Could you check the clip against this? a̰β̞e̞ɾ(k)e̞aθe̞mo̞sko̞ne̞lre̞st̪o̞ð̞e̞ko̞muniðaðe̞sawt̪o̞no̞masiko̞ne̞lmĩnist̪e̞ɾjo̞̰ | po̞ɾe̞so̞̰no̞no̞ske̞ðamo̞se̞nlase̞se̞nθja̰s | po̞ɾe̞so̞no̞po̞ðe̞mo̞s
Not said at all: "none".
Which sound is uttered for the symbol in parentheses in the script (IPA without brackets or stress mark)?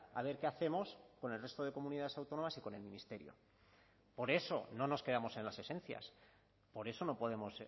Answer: k